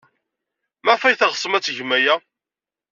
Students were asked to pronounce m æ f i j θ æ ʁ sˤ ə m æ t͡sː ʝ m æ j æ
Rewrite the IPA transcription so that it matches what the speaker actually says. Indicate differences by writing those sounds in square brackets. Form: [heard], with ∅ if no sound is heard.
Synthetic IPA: m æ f [æ] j θ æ ʁ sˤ ə m æ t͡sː ʝ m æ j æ